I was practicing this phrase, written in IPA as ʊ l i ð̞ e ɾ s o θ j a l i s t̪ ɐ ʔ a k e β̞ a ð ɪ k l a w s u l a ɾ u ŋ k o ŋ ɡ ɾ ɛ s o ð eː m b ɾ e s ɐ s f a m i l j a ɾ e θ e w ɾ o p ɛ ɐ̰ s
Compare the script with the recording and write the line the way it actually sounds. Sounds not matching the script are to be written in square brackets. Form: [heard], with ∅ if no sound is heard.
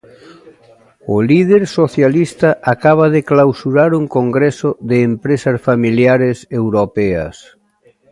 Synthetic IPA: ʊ l i ð̞ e ɾ s o θ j a l i s t̪ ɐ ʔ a k [a] β̞ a ð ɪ k l a w s u [ɾ] a ɾ u ŋ k o ŋ ɡ ɾ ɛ s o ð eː m [p] ɾ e s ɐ s f a m i l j a ɾ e [s] e w ɾ o p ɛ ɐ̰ s